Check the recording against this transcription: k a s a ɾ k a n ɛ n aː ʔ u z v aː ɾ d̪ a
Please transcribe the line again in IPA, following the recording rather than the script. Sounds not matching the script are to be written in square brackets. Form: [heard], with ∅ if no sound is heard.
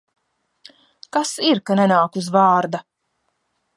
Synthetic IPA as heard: k a s [i] ɾ k a n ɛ n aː [k] u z v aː ɾ d̪ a